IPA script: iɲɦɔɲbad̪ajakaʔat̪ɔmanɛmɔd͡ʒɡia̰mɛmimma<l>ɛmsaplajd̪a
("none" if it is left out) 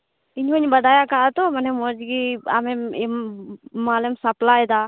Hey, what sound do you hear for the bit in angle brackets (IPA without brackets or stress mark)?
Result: l